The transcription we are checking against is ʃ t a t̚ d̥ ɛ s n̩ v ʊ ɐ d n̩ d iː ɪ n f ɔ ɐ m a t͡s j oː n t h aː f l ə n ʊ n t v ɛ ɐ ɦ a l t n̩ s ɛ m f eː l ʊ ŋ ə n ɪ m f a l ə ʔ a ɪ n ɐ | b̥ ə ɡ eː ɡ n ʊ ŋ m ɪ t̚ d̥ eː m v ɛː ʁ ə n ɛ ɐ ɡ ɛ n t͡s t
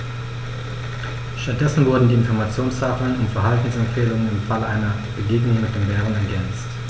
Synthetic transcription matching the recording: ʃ t a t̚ d̥ ɛ s n̩ v ʊ ɐ d n̩ d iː ɪ n f ɔ ɐ m a t͡s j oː n s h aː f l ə n ʊ n t f ɛ ɐ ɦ a l t n̩ s ɛ m f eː l ʊ ŋ ə n ɪ m f a l ə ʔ a ɪ n ɐ | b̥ ə ɡ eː ɡ n ʊ ŋ m ɪ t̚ d̥ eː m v ɛː ʁ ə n ɛ ɐ ɡ ɛ n t͡s t